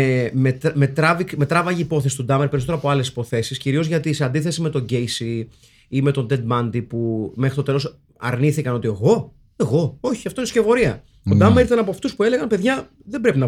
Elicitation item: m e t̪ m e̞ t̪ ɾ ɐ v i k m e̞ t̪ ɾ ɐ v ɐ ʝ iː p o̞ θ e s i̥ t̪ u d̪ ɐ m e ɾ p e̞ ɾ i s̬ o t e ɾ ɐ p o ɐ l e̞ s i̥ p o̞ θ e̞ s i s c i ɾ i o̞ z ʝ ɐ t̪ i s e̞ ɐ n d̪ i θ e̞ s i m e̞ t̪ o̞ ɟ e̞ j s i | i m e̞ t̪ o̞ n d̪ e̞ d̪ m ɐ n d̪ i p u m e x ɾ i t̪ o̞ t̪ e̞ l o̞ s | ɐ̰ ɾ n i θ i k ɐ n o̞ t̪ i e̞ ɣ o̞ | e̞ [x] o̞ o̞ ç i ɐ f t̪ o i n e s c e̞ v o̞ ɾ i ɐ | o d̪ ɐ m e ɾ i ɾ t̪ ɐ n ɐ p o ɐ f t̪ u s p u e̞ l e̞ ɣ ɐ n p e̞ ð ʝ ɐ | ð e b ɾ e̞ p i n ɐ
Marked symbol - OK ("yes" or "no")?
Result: no